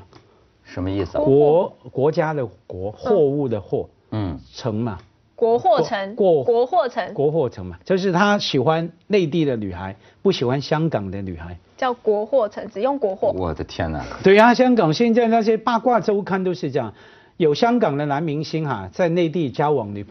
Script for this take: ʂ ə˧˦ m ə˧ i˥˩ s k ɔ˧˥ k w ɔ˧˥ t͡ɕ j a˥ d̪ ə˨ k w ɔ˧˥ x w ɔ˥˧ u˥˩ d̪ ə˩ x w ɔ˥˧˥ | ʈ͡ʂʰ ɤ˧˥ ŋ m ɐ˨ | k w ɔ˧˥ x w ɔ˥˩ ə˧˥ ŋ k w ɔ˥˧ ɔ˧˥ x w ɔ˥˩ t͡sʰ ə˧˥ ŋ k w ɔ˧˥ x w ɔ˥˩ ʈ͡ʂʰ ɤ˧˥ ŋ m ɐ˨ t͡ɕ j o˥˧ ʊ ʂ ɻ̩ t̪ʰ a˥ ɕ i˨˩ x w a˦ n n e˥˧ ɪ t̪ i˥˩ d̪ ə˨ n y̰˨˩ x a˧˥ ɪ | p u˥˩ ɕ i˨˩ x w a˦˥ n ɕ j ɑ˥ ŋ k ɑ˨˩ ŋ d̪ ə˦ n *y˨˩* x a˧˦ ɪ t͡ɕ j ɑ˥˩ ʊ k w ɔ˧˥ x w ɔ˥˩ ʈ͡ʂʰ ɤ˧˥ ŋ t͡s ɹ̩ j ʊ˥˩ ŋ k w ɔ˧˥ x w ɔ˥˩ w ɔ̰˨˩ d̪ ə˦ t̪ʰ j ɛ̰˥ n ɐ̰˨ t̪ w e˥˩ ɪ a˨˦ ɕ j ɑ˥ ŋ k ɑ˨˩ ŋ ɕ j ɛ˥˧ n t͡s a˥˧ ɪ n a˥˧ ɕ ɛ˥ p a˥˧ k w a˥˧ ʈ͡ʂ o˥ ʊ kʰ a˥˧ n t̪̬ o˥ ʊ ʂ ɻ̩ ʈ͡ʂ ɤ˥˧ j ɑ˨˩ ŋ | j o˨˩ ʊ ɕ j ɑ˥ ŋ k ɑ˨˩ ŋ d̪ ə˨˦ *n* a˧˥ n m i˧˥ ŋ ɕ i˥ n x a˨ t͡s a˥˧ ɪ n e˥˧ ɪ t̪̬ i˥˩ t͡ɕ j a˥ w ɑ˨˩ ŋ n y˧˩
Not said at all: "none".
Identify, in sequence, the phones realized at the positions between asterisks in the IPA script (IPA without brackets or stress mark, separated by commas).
y˨˩, n